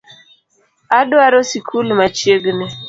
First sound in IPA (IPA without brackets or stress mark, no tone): a